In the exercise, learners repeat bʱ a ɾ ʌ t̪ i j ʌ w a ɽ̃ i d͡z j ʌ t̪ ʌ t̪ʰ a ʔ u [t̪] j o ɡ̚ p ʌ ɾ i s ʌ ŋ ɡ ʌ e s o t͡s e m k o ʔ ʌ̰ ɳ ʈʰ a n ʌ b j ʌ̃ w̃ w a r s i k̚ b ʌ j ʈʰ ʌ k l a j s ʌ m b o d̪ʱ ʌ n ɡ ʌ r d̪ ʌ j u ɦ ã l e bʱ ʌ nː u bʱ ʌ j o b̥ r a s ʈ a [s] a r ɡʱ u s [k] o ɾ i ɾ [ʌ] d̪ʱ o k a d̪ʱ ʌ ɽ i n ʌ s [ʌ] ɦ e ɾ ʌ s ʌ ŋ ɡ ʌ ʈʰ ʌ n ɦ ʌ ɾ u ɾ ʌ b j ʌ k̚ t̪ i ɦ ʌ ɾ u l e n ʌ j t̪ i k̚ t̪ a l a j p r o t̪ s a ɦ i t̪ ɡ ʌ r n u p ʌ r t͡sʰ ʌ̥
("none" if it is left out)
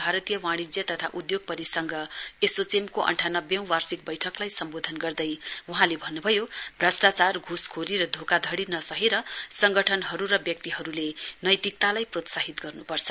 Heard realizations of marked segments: d̪, t͡s, kʰ, ʌ, ʌ

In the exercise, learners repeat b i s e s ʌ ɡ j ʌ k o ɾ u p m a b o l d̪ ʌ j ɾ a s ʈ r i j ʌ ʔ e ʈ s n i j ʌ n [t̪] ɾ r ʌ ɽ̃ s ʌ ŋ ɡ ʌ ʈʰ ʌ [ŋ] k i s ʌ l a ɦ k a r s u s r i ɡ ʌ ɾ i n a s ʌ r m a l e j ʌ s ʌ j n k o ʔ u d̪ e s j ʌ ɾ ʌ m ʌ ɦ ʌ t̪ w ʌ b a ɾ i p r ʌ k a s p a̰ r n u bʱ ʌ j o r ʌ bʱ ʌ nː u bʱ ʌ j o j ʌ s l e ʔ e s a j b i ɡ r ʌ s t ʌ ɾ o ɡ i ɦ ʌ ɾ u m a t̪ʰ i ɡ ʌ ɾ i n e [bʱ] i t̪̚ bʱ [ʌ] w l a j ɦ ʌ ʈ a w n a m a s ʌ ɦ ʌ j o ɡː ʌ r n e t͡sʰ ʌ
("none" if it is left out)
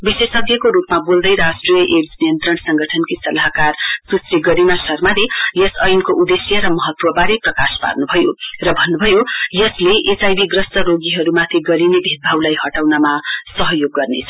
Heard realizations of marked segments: t̪, n, bʱ, a

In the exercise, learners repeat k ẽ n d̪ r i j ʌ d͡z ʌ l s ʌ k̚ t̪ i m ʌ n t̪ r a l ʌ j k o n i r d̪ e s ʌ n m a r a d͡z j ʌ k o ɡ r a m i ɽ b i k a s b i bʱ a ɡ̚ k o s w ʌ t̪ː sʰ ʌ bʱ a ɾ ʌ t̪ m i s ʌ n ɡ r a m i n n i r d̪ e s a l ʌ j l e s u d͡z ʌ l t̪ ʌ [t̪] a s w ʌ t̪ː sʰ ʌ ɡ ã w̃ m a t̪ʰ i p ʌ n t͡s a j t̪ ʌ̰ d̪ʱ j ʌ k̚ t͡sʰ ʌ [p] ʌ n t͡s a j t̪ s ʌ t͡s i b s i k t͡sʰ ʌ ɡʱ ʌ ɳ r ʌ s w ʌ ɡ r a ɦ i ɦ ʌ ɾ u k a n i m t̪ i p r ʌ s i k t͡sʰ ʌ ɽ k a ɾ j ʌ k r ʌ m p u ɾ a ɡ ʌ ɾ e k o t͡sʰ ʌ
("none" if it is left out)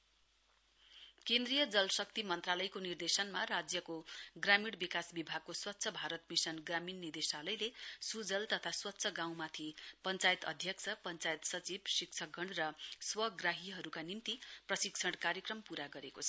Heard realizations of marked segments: t̪ʰ, p

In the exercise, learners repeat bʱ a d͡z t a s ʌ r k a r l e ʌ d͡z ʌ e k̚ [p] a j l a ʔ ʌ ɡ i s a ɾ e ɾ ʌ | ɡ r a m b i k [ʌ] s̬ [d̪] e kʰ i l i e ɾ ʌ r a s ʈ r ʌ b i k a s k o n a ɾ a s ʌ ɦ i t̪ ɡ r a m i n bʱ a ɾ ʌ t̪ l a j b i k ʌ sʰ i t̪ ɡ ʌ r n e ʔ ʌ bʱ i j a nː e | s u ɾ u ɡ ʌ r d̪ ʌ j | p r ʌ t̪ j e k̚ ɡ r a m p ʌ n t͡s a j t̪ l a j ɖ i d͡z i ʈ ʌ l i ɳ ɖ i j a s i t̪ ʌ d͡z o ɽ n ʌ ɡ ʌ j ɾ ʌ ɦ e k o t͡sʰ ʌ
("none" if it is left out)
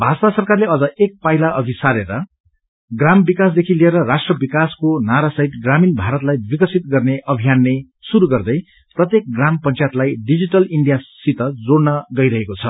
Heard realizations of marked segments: p, a, d̪

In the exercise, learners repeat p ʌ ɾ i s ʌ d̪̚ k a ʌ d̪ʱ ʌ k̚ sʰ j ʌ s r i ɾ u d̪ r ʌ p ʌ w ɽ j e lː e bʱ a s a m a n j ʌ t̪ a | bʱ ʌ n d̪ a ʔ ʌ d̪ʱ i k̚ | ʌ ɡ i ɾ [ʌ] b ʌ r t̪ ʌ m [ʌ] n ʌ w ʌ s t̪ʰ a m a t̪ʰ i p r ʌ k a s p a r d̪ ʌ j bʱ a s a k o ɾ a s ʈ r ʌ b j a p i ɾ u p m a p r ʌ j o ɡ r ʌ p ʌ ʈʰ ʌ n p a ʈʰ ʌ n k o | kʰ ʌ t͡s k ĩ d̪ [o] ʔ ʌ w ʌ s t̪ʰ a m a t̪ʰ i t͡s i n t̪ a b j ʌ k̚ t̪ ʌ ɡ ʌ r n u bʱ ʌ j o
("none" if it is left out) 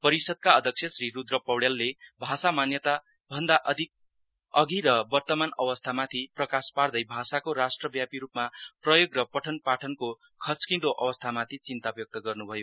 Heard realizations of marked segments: ʌ, a, o

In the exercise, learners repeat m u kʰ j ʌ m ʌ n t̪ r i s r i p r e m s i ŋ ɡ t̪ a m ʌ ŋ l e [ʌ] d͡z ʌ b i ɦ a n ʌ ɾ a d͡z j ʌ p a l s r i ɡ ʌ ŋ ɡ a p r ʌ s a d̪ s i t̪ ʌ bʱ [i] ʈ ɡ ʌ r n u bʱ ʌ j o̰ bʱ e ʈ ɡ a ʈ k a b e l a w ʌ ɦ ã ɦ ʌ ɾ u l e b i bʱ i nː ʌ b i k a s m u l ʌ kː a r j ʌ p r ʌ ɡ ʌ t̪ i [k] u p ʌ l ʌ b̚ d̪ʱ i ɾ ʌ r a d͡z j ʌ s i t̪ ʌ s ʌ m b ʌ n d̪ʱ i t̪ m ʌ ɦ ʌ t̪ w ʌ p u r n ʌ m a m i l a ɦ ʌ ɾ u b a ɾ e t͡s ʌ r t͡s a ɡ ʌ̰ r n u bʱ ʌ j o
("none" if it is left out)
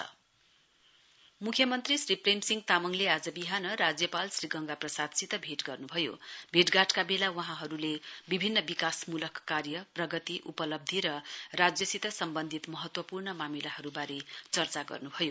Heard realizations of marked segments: a, e, ʔ

